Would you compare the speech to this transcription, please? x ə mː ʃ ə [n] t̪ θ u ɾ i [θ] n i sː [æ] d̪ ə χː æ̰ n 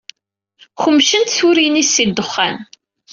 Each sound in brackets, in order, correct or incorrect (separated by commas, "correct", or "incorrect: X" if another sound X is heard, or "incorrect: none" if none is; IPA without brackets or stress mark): correct, incorrect: none, incorrect: i